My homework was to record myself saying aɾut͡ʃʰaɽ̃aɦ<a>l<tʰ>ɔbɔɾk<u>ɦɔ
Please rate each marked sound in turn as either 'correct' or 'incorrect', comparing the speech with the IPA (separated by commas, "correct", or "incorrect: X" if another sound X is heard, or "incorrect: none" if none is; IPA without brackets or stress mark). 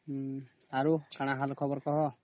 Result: correct, incorrect: kʰ, incorrect: ɔ